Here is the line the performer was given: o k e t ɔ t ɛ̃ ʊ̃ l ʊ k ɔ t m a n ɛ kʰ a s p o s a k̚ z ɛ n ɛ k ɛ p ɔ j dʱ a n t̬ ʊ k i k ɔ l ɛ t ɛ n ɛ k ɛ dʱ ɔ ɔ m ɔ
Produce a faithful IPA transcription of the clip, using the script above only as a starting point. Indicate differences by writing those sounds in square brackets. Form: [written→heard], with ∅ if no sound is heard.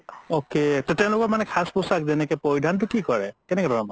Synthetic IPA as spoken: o k e t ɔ t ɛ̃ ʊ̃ l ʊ k ɔ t m a n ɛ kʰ a s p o s a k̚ z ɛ n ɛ k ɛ p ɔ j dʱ a n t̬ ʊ k i k ɔ [l→ɹ] ɛ [t→k] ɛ n ɛ k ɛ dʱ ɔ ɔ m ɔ